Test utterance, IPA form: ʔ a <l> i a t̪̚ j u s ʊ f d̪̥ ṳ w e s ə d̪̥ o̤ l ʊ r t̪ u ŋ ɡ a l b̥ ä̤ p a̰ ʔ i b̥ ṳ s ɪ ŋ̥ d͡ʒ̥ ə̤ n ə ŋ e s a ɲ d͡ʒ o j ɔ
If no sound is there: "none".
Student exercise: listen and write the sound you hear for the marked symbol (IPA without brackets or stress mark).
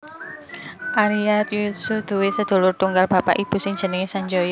ɾ